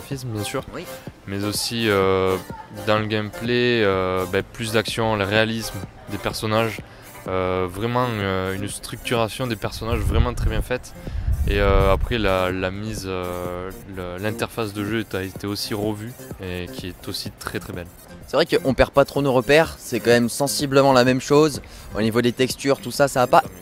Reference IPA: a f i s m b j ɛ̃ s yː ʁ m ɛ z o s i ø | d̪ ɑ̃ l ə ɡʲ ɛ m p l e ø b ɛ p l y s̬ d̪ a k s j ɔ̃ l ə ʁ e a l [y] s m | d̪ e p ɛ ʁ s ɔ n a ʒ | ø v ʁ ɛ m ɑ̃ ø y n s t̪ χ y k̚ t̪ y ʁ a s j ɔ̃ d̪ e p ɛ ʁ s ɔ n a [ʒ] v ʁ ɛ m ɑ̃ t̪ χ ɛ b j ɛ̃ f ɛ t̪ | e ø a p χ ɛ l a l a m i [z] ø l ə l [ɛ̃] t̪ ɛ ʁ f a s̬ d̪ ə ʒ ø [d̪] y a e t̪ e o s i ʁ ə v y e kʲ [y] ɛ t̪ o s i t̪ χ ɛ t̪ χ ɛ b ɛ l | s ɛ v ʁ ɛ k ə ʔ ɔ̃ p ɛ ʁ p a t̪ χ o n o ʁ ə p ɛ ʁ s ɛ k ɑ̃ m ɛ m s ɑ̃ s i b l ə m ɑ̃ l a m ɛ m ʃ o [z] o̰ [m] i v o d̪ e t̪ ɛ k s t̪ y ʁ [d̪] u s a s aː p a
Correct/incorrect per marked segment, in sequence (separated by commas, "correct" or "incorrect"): incorrect, correct, correct, correct, incorrect, incorrect, correct, incorrect, incorrect